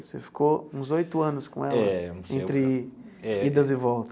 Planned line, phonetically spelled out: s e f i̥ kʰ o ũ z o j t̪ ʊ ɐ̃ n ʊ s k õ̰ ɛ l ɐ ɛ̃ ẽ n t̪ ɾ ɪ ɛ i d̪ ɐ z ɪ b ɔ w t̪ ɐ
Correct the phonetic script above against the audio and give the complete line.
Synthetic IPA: s e f i̥ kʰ o ũ z o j t̪ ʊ ɐ̃ n ʊ s k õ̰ ɛ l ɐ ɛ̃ ẽ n t̪ ɾ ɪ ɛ i d̪ ɐ z ɪ v ɔ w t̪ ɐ